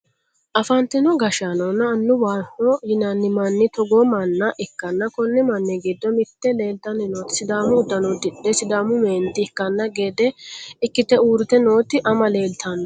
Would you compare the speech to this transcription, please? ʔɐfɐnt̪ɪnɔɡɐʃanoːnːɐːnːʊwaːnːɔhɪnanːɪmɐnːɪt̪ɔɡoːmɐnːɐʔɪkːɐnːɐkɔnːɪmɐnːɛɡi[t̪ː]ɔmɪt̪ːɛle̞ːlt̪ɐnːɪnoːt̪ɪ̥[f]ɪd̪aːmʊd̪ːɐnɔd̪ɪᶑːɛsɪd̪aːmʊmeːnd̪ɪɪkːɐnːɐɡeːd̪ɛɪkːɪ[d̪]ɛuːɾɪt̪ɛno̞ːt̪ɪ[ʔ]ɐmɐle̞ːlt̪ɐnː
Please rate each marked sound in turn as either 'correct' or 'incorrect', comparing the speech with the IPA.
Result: incorrect, incorrect, incorrect, correct

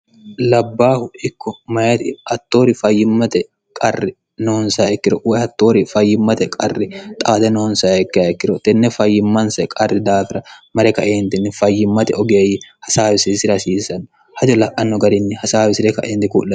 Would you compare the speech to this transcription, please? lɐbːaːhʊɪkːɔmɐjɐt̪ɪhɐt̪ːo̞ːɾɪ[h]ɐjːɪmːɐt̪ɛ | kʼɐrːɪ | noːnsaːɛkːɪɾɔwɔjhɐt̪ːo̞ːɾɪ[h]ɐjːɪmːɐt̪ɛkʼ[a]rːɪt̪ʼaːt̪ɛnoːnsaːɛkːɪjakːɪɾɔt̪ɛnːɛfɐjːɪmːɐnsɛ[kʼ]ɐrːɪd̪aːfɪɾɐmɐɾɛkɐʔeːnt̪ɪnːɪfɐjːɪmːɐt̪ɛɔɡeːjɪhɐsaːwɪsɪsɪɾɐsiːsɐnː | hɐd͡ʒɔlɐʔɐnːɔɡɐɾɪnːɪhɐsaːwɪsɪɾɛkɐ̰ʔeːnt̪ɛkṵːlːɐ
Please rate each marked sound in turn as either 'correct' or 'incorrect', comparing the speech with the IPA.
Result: incorrect, incorrect, incorrect, correct

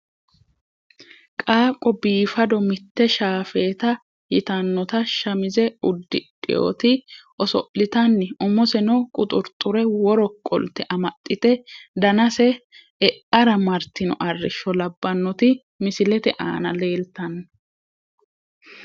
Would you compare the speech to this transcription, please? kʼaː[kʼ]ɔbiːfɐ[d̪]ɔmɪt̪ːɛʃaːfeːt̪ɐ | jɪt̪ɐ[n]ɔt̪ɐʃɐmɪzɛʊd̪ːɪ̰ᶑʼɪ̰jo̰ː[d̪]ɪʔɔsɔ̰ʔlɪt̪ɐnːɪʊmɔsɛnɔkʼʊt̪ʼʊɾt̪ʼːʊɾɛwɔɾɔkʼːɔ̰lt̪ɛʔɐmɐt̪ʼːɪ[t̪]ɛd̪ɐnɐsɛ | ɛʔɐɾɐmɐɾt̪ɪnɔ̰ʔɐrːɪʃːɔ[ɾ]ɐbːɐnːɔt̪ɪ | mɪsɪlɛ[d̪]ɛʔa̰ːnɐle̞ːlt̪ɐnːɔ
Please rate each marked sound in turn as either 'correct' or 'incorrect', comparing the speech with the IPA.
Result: correct, correct, incorrect, incorrect, correct, incorrect, incorrect

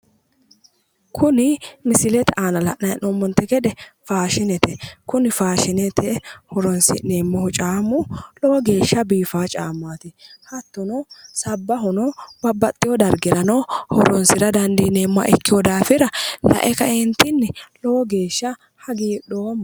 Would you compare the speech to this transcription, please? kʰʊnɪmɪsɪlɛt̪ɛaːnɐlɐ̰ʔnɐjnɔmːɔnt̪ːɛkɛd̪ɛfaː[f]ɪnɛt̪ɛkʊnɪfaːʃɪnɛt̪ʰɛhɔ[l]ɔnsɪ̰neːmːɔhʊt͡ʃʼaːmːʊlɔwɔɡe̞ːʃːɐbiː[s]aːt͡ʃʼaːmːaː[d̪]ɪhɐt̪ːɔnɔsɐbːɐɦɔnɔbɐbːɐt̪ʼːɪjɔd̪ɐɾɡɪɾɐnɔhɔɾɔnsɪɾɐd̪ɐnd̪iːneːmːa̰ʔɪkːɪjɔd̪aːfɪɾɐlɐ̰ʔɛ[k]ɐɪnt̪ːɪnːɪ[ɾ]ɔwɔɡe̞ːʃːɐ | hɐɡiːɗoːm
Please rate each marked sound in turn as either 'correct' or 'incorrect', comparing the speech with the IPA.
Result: incorrect, incorrect, incorrect, incorrect, correct, incorrect

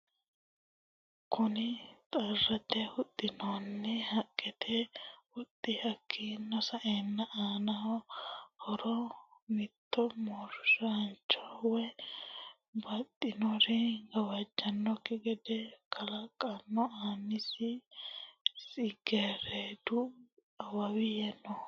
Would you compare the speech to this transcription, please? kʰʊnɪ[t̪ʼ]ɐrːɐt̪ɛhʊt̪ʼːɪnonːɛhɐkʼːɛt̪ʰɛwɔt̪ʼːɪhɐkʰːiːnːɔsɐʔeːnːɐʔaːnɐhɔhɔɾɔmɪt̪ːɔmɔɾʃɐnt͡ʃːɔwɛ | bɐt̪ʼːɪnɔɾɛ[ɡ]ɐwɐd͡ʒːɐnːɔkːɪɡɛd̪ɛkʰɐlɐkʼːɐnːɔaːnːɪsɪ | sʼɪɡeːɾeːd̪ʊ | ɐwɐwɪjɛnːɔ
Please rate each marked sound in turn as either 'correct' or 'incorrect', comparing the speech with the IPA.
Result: correct, correct

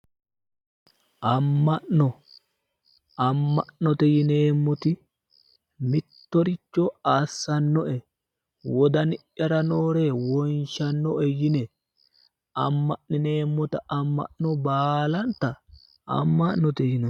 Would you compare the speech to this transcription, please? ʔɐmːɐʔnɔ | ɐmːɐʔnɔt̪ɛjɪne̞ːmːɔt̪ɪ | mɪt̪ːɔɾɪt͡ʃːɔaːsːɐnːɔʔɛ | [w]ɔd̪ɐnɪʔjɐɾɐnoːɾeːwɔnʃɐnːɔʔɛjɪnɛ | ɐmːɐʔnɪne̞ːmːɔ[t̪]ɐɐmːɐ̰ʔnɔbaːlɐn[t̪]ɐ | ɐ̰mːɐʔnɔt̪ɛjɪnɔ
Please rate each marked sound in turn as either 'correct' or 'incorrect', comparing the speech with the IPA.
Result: correct, correct, correct

